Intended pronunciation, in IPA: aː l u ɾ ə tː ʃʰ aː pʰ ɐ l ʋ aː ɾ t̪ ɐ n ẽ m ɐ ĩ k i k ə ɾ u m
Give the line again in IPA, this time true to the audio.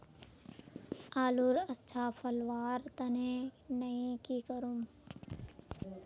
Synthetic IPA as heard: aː l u ɾ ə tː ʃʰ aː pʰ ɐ l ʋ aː ɾ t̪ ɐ n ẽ n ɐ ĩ k i k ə ɾ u m